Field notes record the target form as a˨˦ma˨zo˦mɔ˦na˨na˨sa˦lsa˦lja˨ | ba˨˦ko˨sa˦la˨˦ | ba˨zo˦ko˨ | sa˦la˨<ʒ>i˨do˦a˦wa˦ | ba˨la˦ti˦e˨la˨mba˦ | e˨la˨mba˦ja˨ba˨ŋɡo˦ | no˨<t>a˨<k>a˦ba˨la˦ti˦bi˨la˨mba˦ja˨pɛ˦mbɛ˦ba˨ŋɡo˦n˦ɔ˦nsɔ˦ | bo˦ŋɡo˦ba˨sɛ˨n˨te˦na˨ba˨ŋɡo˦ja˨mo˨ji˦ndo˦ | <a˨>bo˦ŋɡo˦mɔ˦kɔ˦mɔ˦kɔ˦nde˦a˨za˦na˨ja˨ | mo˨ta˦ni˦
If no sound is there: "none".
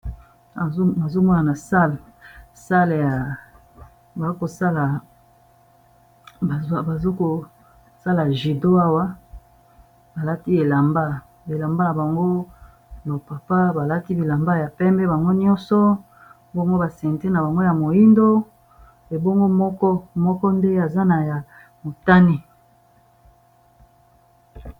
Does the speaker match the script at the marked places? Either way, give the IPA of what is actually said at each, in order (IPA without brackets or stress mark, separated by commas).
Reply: ʒ, p, p, e˨